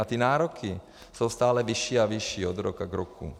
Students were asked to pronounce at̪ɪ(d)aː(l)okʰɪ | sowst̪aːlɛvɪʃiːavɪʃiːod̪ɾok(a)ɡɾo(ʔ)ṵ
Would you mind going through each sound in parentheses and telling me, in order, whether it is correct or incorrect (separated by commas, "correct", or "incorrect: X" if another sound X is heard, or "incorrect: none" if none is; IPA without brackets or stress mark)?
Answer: incorrect: n, incorrect: ɾ, correct, incorrect: k